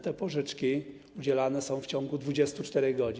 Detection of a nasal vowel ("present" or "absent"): present